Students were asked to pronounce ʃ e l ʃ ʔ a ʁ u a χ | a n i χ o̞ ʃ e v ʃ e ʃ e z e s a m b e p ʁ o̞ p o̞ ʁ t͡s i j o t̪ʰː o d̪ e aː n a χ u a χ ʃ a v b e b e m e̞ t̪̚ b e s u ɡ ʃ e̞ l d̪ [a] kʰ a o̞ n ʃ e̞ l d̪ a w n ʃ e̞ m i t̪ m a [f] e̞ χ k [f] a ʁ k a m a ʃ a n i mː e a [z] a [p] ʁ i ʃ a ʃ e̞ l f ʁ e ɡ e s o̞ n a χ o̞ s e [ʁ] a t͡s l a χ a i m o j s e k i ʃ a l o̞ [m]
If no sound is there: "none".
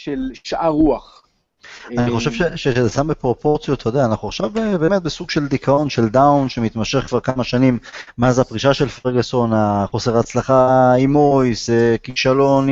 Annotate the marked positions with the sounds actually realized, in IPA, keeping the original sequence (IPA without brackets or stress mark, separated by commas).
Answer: i, ʃ, v, z, p, ʁ, n